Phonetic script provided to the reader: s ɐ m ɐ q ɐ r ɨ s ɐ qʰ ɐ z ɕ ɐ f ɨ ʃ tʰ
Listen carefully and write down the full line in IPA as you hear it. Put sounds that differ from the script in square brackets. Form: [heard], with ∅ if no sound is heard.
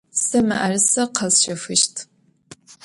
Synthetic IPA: s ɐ m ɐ [ʔ] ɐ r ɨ s ɐ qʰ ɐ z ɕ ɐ f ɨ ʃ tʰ